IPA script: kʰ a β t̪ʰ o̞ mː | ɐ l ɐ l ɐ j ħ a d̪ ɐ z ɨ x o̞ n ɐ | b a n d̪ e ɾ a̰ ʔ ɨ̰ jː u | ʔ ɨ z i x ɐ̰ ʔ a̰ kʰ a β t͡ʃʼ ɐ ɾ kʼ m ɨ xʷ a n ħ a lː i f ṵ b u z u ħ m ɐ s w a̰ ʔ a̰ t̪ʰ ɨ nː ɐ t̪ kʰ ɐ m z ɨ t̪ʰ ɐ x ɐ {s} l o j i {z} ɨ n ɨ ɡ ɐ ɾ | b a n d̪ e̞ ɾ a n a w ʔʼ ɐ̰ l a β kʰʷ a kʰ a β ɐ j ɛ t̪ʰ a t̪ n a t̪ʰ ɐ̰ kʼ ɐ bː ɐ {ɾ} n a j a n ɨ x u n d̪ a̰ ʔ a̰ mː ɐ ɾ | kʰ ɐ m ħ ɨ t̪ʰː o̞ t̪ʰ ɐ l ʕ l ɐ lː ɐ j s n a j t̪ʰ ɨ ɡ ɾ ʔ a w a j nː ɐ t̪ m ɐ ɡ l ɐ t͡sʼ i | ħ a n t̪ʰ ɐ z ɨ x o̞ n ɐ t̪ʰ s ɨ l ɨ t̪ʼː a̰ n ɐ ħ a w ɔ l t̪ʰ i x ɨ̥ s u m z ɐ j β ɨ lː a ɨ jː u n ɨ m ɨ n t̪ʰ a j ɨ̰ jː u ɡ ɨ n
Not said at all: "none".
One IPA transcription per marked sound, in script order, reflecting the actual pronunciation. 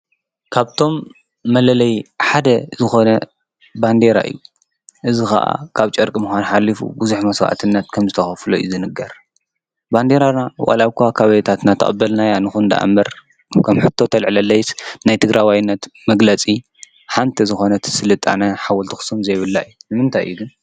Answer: f, z, l

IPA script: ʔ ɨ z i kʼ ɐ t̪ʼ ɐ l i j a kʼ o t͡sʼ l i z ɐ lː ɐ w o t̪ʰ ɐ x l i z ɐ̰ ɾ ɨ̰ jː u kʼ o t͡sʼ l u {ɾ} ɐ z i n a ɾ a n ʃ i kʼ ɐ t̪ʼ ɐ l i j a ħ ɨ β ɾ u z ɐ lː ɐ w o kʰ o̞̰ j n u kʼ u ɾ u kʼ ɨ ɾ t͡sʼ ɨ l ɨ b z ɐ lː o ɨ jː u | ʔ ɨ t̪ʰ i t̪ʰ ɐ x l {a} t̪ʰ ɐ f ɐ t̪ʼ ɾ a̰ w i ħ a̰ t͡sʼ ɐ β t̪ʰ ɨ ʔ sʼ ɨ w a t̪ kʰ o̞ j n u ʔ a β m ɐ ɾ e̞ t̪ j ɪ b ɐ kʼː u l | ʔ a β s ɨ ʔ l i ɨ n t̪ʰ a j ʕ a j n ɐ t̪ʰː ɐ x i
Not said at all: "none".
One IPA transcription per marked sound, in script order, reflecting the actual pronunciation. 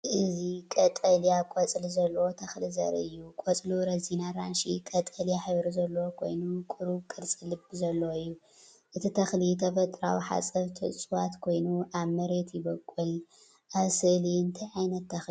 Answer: ɾ, i

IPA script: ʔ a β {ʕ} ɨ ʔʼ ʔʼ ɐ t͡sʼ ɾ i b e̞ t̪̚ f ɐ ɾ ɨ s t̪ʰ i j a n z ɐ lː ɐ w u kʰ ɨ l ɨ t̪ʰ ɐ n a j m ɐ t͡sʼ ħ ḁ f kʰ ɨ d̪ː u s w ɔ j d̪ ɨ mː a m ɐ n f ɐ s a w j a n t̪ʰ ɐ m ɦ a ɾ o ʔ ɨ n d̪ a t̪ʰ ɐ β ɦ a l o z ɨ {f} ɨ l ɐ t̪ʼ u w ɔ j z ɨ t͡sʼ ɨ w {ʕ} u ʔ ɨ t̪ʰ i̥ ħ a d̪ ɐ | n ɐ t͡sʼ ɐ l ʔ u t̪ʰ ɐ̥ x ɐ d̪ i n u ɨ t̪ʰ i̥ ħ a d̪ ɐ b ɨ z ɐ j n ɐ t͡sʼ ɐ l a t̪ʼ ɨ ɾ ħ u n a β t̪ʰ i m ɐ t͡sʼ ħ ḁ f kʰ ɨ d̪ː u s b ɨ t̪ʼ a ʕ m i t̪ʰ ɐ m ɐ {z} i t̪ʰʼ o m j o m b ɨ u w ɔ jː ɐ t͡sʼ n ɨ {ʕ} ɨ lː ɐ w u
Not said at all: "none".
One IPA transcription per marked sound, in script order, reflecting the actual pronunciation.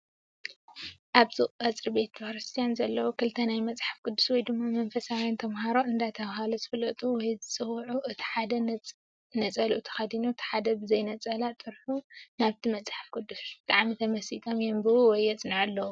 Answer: z, f, ʕ, s, ʕ

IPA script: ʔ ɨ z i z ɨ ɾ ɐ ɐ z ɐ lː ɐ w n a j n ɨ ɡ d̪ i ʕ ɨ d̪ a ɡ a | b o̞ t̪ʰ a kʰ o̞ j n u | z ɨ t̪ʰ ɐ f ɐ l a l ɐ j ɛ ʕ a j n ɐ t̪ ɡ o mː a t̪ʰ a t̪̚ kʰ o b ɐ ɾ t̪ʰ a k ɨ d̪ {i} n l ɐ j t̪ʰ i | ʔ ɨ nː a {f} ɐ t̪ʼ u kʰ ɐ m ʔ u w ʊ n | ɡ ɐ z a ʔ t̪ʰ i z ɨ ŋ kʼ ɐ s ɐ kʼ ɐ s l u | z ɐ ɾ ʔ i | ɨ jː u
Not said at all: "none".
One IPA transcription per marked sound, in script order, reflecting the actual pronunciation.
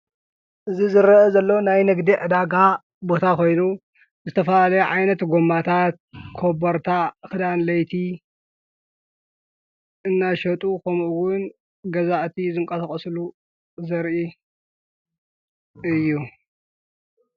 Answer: a, ʃ

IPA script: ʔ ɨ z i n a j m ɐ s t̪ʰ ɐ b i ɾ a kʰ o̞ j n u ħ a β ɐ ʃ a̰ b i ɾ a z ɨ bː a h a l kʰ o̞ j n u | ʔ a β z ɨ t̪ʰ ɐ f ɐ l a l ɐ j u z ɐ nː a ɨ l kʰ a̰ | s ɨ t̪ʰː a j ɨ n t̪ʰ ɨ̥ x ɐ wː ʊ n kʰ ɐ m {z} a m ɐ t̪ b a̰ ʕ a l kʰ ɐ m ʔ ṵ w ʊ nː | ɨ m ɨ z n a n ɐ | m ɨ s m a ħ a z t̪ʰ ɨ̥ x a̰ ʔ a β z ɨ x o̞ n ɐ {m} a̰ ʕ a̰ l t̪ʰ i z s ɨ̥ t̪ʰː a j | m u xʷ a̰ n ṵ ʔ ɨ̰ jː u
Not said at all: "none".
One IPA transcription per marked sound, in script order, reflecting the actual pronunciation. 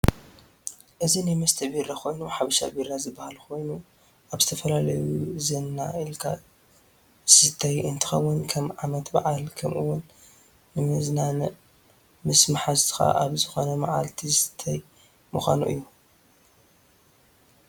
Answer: ʕ, m

